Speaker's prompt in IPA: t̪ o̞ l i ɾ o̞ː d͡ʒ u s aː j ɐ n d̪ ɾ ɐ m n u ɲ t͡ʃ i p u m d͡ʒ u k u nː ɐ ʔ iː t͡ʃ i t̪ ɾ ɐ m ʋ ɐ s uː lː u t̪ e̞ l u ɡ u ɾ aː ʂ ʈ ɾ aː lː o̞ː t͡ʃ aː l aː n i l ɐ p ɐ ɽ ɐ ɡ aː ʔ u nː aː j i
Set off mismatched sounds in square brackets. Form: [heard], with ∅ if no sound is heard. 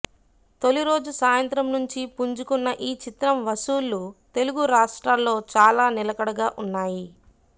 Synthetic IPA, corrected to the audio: t̪ o̞ l i ɾ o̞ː d͡ʒ u s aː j ɐ n [t̪] ɾ ɐ m n u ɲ t͡ʃ i p u [ɲ] d͡ʒ u k u nː ɐ ʔ iː t͡ʃ i t̪ ɾ ɐ m ʋ ɐ s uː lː u t̪ e̞ l u ɡ u ɾ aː ʂ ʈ ɾ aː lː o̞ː t͡ʃ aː l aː n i l ɐ [k] ɐ ɽ ɐ ɡ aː ʔ u nː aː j i